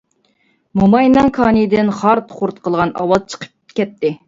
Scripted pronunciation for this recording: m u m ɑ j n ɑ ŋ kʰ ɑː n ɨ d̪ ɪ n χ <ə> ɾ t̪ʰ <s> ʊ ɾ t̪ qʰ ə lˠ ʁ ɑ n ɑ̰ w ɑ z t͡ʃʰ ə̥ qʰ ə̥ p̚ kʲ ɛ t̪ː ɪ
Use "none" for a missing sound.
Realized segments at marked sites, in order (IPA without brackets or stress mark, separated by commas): ɑ, χ